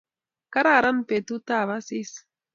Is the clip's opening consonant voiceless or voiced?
voiceless